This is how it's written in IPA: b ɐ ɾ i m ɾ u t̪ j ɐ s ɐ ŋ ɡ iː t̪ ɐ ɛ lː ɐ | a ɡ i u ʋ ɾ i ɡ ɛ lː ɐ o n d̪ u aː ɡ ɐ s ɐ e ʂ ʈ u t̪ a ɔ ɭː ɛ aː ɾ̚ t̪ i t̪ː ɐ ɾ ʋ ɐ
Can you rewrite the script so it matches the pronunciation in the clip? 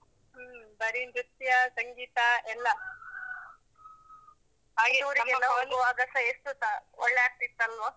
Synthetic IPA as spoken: b ɐ ɾ i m ɾ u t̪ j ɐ s ɐ ŋ ɡ iː t̪ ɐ ɛ lː ɐ | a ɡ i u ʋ ɾ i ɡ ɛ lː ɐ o n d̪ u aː ɡ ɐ s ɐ e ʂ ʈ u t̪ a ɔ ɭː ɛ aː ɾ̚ t̪ i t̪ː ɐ l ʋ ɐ